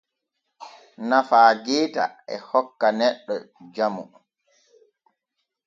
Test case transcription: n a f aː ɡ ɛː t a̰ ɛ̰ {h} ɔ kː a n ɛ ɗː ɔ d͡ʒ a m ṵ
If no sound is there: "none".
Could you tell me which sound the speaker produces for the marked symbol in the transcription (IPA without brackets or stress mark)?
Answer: h